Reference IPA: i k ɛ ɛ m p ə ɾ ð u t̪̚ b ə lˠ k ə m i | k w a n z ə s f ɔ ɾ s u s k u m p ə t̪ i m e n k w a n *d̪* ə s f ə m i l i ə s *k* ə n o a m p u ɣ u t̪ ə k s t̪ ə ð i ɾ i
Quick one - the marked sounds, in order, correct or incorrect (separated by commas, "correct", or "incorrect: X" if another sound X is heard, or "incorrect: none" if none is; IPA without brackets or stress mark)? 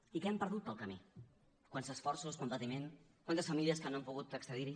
incorrect: t̪, correct